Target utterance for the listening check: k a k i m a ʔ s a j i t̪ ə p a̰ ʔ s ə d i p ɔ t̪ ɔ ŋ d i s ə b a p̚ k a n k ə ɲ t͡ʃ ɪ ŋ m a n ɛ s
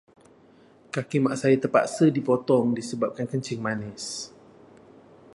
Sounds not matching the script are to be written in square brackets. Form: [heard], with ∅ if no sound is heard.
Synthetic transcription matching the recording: k a k i m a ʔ s a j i t̪ ə p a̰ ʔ s ə d i p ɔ t̪ ɔ ŋ d i s ə b a p̚ k a n k ə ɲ t͡ʃ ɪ ŋ m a n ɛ s